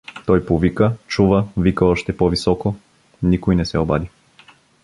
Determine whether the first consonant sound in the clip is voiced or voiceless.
voiceless